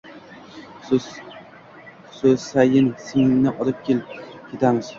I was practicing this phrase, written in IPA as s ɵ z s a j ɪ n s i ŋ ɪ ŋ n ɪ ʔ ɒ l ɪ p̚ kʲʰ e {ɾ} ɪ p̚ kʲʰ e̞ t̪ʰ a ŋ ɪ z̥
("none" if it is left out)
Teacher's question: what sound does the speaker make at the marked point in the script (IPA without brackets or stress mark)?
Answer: l